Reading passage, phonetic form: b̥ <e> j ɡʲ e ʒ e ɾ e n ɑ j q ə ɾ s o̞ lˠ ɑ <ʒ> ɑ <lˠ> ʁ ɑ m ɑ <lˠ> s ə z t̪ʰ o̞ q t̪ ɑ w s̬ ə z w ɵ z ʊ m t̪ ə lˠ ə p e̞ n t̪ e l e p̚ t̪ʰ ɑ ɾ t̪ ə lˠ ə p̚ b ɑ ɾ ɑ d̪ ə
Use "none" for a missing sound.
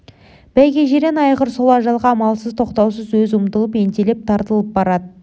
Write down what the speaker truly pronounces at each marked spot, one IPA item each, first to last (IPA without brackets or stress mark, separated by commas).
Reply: æ, ʒ, lˠ, lˠ